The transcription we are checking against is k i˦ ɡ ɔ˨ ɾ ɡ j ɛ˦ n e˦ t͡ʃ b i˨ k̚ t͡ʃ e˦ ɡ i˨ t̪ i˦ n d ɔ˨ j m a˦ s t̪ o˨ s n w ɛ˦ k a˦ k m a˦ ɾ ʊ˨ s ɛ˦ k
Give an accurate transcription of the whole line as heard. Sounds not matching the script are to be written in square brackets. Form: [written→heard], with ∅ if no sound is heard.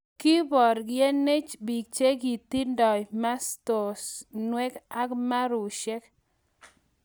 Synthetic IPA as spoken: k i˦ [ɡ→b] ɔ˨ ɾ ɡ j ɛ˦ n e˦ t͡ʃ b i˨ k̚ t͡ʃ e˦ ɡ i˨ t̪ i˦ n d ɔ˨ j m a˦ s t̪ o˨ s n w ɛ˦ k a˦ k m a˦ ɾ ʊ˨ [s→ʃ] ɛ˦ k